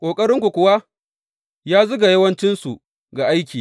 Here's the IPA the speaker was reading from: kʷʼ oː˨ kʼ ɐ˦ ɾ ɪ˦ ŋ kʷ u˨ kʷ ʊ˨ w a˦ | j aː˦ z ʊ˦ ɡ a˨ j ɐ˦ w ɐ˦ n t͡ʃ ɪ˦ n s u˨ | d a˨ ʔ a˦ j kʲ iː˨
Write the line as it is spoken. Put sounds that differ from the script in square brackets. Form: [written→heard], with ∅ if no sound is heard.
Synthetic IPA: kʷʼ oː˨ kʼ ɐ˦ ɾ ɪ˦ ŋ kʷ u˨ kʷ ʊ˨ w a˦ | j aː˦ z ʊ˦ ɡ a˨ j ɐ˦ w ɐ˦ n t͡ʃ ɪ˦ n s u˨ | [d→ɡ] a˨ ʔ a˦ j kʲ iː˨